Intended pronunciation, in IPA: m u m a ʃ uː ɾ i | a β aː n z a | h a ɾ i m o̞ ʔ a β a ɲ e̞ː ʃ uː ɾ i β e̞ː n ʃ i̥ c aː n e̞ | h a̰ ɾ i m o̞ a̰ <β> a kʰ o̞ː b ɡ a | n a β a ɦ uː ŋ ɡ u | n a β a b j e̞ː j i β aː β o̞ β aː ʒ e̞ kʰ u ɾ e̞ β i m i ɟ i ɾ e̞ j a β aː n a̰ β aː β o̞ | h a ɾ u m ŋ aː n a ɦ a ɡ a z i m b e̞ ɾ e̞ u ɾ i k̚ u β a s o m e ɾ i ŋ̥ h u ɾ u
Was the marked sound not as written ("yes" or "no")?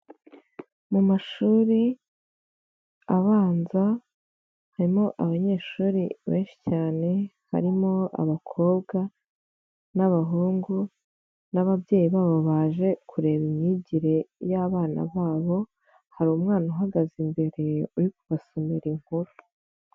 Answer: no